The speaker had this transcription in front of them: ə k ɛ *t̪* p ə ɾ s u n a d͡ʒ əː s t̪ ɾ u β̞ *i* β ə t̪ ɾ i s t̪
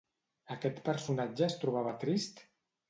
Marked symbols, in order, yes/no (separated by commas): yes, no